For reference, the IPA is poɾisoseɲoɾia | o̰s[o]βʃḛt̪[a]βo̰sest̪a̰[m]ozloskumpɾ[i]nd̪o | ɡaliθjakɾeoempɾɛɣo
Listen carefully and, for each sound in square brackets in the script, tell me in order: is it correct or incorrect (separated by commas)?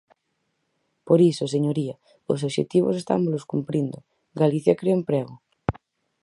correct, incorrect, correct, correct